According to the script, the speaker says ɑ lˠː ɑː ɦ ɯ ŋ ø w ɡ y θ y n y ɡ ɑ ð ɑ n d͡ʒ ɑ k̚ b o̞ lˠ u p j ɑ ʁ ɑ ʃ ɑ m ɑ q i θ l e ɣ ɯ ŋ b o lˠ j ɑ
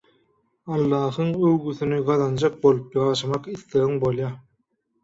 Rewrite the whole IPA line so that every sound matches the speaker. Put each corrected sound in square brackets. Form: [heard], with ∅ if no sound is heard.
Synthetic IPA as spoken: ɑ lˠː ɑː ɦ ɯ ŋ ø w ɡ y θ y n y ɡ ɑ ð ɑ n d͡ʒ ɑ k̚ b o̞ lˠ u p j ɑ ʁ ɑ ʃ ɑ m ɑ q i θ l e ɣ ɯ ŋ b o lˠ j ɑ